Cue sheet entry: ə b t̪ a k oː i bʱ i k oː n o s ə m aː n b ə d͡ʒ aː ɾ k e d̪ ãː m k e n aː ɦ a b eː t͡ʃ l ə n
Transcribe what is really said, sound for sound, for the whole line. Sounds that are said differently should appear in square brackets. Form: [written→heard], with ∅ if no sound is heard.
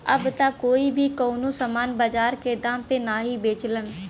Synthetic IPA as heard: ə b t̪ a k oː i bʱ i k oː n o s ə m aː n b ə d͡ʒ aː ɾ k e d̪ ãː m [k→p] e n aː ɦ [a→i] b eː t͡ʃ l ə n